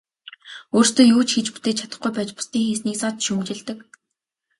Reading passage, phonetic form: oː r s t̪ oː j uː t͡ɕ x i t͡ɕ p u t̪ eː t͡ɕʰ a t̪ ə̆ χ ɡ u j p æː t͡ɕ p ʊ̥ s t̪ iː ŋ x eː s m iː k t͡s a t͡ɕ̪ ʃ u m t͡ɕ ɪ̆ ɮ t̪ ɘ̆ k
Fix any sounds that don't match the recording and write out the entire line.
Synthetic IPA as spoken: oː r s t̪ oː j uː t͡ɕ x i t͡ɕ p u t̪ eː t͡ɕʰ a t̪ ə̆ χ ɡ u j p æː t͡ɕ p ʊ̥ s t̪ iː ŋ x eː s n iː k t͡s a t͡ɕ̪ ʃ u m t͡ɕ ɪ̆ ɮ t̪ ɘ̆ k